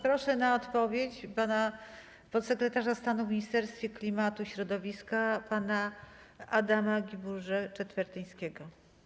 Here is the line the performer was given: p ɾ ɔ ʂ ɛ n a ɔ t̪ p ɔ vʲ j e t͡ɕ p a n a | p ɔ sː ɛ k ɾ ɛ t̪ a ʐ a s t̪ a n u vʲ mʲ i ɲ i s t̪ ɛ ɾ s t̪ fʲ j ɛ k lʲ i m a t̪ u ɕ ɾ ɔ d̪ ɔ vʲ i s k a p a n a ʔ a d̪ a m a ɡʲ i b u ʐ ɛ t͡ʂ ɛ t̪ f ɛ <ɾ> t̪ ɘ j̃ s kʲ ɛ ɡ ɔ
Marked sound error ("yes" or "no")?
no